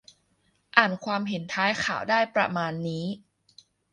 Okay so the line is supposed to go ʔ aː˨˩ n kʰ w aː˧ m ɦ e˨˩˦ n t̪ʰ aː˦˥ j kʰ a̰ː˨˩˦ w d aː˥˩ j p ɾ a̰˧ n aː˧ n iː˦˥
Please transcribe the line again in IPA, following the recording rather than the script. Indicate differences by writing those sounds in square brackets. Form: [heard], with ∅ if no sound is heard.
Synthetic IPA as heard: ʔ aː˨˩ n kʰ w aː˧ m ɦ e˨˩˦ n t̪ʰ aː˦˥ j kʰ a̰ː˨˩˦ w d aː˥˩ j p ɾ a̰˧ [m] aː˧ [nː] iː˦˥